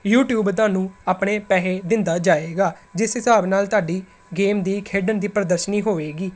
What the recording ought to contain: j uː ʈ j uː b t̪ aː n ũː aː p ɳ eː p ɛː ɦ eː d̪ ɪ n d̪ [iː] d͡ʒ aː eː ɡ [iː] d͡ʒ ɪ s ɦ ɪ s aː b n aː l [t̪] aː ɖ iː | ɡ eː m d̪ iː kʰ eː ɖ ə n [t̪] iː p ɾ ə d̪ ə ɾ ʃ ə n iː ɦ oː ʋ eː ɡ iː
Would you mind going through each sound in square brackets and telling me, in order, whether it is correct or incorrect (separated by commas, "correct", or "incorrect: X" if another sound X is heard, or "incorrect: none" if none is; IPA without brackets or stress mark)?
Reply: incorrect: aː, incorrect: aː, correct, incorrect: d̪